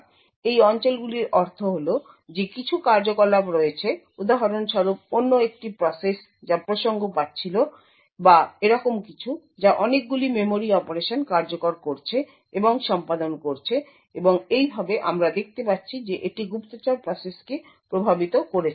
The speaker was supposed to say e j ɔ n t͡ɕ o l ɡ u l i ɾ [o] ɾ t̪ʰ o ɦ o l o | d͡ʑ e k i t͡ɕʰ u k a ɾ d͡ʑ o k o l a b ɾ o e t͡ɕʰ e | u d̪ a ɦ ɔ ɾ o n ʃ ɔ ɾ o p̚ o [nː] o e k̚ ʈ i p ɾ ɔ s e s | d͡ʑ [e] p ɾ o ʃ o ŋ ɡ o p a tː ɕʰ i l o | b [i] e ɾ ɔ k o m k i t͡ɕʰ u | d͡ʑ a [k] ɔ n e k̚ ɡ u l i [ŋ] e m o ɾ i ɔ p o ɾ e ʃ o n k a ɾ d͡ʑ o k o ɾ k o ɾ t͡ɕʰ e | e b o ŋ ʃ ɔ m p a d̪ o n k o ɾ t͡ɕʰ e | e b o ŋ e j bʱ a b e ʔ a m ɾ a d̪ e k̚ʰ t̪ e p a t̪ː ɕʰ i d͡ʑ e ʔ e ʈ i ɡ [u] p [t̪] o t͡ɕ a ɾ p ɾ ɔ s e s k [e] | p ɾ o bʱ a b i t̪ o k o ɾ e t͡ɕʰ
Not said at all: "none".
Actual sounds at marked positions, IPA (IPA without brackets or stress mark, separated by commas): ɔ, nː, a, a, ʔ, m, u, t̪, e